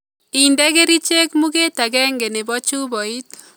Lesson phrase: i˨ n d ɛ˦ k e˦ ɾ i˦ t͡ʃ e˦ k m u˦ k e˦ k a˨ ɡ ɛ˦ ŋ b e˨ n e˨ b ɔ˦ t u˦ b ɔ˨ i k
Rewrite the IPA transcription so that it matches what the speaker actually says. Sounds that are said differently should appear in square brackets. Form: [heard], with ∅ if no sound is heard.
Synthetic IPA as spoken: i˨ n d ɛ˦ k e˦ ɾ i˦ t͡ʃ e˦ k m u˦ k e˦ [t] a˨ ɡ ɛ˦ ŋ [ɡ] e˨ n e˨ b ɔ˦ [t͡ʃ] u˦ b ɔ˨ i [t]